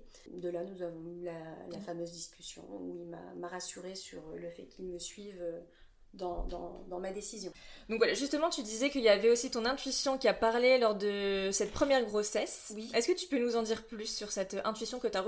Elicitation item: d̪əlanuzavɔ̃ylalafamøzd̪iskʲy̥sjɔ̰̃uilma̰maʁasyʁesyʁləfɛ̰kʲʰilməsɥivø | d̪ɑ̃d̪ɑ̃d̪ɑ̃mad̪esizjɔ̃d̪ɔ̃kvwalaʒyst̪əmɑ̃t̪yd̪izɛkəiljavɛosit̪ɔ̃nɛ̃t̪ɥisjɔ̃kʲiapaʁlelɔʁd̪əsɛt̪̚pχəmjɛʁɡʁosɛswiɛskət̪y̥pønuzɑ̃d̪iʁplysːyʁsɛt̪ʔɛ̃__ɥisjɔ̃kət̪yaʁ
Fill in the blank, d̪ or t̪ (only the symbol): t̪